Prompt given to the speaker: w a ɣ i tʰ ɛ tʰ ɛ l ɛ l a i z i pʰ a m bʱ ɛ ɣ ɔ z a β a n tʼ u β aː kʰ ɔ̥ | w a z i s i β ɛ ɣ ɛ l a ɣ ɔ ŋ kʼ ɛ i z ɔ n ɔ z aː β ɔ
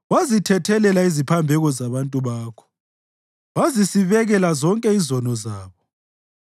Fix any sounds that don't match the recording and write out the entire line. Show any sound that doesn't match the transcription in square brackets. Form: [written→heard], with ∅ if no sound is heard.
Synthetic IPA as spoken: w a [ɣ→z] i tʰ ɛ tʰ ɛ l ɛ l a i z i pʰ a m bʱ ɛ ɣ ɔ z a β a n tʼ u β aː kʰ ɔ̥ | w a z i s i β ɛ ɣ ɛ l a [ɣ→z] ɔ ŋ kʼ ɛ i z ɔ n ɔ z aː β ɔ